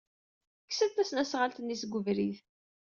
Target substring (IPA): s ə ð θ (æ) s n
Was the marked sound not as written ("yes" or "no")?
no